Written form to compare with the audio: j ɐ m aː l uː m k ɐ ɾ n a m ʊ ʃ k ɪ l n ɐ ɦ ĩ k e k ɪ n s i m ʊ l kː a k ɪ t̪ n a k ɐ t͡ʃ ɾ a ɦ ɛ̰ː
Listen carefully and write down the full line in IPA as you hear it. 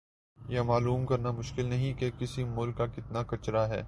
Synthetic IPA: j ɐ m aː l uː m k ɐ ɾ n a m ʊ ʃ k ɪ l n ɐ ɦ ĩ k e k ɪ s i m ʊ l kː a k ɪ t̪ n a k ɐ t͡ʃ ɾ a ɦ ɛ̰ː

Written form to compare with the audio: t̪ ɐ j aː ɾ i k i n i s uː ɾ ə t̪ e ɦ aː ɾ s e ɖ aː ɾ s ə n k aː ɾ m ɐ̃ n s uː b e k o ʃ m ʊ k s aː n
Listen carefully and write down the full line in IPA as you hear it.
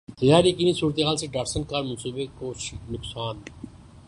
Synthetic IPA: t̪ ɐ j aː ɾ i k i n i s uː ɾ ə t̪ e ɦ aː l s e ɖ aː ɾ s ə n k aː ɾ m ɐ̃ n s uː b e k o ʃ n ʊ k s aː n

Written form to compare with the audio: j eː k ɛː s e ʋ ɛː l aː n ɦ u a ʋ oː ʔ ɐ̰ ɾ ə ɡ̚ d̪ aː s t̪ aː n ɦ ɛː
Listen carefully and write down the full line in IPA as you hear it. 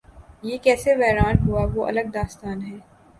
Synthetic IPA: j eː k ɛː s e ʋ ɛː ɾ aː n ɦ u a ʋ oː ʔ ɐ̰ l ə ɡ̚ d̪ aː s t̪ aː n ɦ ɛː

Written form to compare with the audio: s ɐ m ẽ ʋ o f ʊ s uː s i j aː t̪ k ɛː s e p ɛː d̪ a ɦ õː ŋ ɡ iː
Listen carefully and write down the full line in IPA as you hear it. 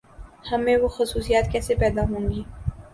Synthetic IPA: h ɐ m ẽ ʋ o x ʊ s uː s i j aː t̪ k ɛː s e p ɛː d̪ a ɦ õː ŋ ɡ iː

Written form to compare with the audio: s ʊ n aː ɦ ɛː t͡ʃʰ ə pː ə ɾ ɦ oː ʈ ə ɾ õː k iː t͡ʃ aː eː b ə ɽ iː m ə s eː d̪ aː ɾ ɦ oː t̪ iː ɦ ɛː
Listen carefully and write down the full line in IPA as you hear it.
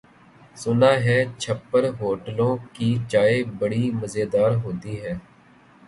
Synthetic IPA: s ʊ n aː ɦ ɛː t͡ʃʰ ə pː ə ɾ ɦ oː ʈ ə l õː k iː t͡ʃ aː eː b ə ɽ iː m ə z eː d̪ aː ɾ ɦ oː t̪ iː ɦ ɛː

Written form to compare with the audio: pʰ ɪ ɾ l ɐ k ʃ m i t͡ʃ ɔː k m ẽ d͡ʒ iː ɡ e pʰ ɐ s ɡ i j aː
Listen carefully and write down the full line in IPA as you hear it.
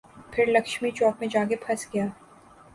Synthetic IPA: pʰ ɪ ɾ l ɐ k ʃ m i t͡ʃ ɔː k m ẽ d͡ʒ aː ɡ e pʰ ɐ s ɡ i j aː

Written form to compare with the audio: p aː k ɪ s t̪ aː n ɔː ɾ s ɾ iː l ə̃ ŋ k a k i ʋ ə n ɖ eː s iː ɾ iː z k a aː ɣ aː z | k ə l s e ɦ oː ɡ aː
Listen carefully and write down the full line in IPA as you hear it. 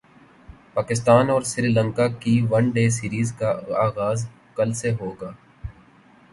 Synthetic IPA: p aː k ɪ s t̪ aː n ɔː ɾ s ɾ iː l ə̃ ŋ k a k i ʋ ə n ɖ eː s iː ɾ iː z k a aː ɣ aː z | k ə l s e ɦ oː ɡ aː

